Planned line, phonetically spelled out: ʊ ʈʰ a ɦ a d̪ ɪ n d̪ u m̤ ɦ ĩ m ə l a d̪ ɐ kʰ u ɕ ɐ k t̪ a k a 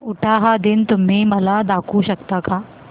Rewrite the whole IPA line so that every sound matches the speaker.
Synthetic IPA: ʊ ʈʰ a ɦ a d̪ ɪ n t̪ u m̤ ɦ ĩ m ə l a d̪ a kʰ u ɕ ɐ k t̪ a k a